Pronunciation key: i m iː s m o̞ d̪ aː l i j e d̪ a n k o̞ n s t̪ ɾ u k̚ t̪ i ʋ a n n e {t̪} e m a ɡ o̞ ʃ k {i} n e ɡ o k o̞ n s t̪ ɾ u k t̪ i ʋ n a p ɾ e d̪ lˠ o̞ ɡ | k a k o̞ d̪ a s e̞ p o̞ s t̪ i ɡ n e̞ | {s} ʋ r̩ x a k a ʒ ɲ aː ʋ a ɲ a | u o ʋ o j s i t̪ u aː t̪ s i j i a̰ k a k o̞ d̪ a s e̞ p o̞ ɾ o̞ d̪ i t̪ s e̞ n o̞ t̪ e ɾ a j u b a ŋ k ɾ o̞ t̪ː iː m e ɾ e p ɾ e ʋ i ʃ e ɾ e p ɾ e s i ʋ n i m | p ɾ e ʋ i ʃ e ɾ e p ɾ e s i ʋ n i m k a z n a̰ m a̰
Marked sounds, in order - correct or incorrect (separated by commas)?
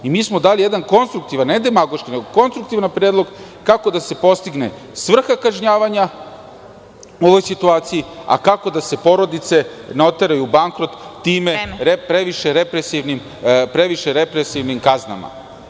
incorrect, correct, correct